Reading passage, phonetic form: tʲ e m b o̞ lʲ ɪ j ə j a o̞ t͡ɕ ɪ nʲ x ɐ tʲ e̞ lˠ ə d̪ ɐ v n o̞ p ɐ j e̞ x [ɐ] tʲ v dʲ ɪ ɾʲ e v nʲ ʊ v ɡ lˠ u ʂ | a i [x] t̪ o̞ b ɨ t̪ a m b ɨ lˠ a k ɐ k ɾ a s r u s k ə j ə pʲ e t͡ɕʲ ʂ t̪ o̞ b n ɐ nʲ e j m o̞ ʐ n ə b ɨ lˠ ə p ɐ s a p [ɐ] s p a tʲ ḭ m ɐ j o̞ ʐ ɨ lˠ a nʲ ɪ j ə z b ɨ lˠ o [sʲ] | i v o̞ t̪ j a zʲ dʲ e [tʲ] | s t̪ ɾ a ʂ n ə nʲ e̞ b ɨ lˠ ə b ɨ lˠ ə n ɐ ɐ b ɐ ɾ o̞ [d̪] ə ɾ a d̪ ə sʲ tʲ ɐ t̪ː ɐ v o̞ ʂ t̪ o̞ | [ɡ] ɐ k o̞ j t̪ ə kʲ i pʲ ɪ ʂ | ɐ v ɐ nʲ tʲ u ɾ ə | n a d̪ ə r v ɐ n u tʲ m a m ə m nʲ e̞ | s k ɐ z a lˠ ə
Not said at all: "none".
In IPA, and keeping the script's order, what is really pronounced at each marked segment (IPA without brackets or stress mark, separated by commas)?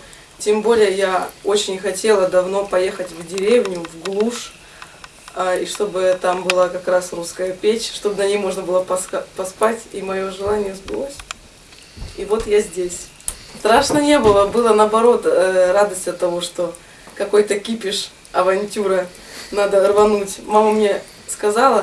ə, ʂ, ɐ, sʲ, sʲ, t̪, k